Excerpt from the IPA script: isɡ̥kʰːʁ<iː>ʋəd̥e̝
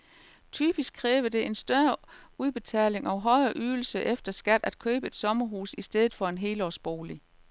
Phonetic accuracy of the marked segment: incorrect: ɛː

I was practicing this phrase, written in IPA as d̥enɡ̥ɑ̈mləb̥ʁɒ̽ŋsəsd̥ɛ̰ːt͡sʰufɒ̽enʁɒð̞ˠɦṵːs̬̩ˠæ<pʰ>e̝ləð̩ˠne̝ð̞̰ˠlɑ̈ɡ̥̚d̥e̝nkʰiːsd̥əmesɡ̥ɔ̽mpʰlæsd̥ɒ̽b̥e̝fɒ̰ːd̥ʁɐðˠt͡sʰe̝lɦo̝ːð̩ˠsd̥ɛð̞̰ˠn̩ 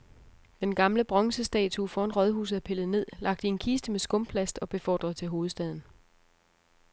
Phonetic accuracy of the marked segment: correct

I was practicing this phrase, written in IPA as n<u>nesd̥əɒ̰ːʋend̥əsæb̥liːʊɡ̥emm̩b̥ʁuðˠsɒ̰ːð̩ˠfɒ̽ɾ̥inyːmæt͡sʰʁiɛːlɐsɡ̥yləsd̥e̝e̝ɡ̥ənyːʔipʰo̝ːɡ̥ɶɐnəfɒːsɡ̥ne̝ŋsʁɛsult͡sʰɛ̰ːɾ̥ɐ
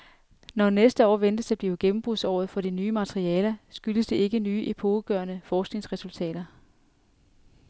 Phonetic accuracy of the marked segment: incorrect: ɒ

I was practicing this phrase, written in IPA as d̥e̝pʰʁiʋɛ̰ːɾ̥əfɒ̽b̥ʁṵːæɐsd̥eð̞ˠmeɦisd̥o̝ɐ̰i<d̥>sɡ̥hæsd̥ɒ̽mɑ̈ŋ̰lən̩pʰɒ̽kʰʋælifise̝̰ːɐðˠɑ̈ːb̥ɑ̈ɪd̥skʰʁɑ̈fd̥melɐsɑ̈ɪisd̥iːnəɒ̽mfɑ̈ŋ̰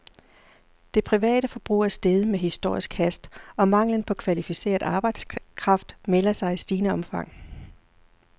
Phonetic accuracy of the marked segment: incorrect: none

